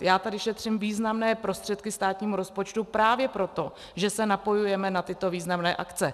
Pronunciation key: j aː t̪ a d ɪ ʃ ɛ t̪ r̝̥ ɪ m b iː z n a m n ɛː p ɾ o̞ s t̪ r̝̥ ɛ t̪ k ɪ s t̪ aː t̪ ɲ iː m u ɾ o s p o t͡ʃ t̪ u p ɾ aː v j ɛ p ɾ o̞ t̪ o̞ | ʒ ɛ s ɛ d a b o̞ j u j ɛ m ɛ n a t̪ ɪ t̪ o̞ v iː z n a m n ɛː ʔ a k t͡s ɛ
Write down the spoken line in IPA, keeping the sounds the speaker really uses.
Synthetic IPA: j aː t̪ a d ɪ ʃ ɛ t̪ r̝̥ ɪ m v iː z n a m n ɛː p ɾ o̞ s t̪ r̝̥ ɛ t̪ k ɪ s t̪ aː t̪ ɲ iː m u ɾ o s p o t͡ʃ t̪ u p ɾ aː v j ɛ p ɾ o̞ t̪ o̞ | ʒ ɛ s ɛ n a p o̞ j u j ɛ m ɛ n a t̪ ɪ t̪ o̞ v iː z n a m n ɛː ʔ a k t͡s ɛ